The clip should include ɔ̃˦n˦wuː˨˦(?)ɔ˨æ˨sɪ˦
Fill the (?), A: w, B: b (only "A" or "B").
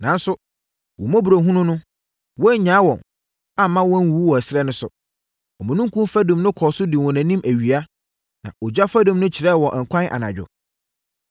A